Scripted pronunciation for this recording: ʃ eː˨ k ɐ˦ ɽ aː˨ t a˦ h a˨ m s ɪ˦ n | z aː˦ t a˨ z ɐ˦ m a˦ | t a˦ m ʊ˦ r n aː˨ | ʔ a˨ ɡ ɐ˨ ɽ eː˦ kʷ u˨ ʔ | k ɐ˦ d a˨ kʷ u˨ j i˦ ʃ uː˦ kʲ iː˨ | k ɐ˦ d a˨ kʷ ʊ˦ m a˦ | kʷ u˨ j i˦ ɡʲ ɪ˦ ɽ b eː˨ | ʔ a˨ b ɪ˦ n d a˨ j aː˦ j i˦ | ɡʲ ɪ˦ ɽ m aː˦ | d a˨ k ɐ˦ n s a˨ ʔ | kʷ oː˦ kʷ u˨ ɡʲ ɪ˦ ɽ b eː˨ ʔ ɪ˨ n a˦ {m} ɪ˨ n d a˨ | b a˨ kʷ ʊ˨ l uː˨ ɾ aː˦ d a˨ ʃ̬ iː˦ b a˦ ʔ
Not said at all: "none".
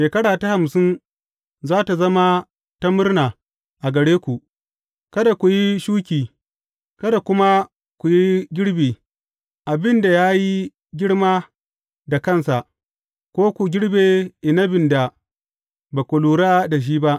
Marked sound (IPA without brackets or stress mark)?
b